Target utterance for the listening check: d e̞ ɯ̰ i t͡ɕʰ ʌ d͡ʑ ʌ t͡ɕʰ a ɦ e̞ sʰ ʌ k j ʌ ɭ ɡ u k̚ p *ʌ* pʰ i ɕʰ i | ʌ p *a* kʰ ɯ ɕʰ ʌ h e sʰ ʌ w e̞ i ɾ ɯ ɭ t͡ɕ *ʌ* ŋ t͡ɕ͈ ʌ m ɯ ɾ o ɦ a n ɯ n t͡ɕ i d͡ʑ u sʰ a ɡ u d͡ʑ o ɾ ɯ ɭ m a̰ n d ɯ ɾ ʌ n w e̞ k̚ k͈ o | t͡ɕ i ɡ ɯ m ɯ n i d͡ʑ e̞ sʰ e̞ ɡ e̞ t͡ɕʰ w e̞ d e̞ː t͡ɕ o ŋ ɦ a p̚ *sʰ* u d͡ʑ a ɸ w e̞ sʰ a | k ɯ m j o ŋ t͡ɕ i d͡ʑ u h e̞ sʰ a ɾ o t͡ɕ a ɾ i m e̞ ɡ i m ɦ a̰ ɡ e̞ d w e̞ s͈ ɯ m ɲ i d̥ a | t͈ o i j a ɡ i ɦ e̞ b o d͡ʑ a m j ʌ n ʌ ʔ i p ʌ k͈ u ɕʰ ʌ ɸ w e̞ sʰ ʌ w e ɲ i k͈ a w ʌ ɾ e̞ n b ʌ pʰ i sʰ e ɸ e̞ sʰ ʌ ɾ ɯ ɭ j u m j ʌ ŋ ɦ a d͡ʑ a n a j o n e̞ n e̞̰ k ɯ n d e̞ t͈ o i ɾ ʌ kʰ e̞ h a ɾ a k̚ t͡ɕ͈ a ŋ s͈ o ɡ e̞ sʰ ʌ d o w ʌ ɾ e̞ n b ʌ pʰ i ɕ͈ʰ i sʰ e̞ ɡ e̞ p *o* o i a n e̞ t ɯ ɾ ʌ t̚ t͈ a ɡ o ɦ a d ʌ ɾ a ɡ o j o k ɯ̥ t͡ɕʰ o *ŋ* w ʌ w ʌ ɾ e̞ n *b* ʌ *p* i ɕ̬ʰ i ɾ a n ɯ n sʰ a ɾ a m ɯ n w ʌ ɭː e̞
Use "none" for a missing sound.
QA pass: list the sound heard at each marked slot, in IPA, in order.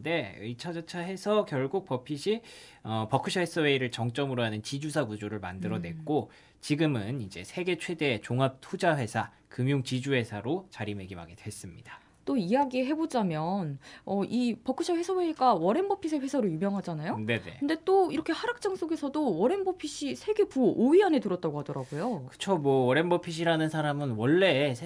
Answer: ʌ, ʌ, ʌ, tʰ, u, m, b, pʰ

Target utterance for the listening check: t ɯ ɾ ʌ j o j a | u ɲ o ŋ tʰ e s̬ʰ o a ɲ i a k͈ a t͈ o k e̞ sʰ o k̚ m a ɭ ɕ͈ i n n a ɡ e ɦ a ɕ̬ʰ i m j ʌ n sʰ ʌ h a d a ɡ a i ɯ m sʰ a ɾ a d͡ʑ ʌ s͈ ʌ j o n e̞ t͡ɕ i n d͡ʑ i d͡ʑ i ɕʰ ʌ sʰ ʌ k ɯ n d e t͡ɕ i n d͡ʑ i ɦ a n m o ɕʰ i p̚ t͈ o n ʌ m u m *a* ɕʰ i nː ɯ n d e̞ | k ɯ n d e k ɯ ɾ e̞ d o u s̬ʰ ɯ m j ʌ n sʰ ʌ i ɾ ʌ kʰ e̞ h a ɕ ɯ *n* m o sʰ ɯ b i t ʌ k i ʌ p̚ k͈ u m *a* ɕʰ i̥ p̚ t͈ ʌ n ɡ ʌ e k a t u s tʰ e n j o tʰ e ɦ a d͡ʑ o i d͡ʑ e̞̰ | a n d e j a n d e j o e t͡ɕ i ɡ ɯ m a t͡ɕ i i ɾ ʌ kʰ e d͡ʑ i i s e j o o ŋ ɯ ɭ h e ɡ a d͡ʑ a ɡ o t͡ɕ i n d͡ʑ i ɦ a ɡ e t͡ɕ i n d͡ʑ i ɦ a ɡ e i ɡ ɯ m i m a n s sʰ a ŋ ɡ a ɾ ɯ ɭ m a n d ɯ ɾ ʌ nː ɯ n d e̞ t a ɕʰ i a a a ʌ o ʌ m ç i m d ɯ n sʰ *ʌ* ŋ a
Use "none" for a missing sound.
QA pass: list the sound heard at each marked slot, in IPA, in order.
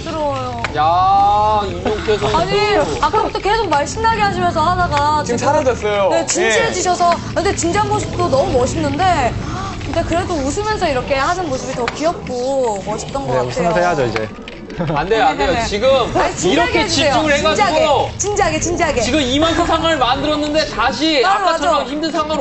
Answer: ʌ, n, ʌ, a

